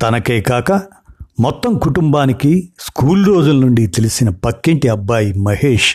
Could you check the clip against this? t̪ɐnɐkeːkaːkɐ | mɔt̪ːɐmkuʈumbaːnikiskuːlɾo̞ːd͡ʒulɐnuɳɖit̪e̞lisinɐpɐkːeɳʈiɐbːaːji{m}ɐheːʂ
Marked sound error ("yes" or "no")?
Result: no